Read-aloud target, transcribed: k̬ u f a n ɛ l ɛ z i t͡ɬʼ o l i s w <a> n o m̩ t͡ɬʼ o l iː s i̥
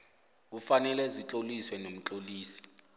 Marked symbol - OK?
no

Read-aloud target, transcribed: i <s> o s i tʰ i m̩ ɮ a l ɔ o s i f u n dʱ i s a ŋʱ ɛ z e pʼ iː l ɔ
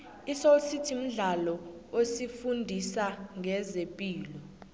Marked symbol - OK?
yes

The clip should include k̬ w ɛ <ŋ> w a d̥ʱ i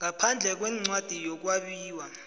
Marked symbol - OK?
no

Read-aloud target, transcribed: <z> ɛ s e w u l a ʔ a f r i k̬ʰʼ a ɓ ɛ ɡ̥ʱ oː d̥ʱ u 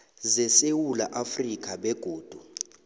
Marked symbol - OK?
yes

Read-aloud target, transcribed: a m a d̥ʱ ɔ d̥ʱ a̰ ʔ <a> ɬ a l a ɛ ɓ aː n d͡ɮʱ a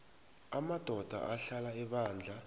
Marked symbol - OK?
yes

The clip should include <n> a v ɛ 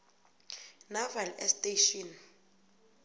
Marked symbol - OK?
yes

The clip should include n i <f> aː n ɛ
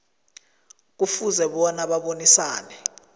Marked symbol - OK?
no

